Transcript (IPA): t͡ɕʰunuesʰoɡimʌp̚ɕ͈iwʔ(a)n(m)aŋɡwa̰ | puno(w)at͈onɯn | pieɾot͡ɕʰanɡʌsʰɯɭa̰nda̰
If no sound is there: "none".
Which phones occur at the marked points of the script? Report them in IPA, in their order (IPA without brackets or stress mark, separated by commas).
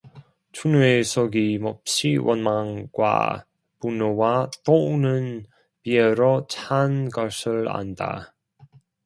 ʌ, m, w